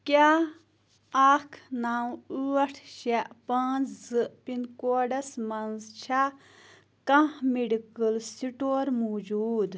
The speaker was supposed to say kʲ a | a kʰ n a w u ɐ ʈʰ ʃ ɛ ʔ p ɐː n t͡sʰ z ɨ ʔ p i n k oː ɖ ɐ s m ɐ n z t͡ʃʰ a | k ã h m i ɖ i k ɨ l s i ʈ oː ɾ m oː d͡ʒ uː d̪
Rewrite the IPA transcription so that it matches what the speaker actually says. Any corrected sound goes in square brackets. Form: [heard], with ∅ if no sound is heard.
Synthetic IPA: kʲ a | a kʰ n a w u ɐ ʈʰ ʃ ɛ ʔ p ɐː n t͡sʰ z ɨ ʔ p i n k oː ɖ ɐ s m ɐ n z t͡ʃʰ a | k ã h m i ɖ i k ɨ l s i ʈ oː ɾ m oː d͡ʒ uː d̪